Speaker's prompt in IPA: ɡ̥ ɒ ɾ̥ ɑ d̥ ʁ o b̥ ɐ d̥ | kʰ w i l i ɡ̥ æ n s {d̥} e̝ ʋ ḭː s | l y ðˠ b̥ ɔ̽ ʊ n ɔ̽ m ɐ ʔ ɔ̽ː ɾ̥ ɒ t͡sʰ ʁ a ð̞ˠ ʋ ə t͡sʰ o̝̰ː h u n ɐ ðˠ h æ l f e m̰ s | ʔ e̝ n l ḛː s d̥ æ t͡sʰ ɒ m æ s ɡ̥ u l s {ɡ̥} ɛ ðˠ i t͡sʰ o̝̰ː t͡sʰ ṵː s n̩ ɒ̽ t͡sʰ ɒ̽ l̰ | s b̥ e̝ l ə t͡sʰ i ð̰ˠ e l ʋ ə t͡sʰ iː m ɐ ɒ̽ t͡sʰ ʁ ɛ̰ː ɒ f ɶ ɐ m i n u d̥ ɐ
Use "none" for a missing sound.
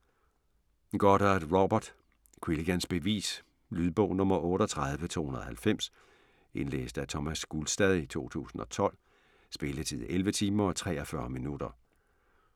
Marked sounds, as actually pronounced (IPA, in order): b̥, d̥

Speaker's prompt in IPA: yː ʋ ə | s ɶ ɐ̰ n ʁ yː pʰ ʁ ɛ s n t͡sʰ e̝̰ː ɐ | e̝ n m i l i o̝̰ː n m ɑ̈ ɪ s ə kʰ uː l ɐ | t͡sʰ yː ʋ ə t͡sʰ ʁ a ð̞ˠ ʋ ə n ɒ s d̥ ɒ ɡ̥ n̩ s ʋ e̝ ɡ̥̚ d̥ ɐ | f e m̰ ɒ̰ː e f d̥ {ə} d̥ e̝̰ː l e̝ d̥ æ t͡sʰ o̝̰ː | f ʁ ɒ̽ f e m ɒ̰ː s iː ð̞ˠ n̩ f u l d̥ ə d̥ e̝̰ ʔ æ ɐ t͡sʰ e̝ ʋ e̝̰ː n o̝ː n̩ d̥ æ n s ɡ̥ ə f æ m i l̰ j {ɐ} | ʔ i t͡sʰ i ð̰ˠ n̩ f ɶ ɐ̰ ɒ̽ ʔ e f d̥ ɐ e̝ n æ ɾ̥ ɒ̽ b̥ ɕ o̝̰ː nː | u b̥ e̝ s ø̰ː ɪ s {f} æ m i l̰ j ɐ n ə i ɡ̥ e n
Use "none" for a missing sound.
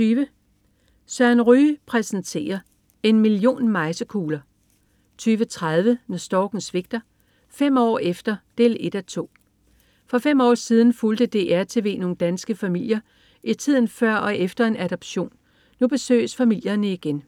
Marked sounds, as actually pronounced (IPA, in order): ɐ, ɐ, f

